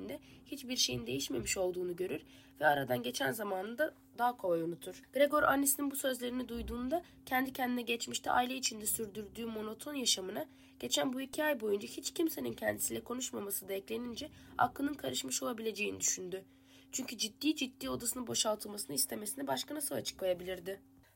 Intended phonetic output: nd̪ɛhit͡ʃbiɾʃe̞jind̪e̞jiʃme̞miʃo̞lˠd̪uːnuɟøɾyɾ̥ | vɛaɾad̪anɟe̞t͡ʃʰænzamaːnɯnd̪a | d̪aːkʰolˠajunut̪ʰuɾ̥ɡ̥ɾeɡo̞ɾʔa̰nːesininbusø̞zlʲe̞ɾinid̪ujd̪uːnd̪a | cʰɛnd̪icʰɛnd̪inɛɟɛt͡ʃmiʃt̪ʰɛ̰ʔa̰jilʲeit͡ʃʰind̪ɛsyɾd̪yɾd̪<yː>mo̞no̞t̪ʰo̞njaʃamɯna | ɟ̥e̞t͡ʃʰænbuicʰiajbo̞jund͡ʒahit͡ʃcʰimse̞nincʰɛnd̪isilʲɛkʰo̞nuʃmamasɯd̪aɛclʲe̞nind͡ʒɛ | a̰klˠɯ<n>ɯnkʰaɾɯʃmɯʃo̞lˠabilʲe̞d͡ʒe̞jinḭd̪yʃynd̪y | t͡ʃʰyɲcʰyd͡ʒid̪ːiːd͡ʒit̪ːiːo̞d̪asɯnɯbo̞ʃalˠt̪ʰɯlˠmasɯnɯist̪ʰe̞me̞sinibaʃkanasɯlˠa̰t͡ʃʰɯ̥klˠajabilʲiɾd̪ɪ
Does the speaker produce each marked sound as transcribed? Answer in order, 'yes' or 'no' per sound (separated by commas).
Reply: yes, yes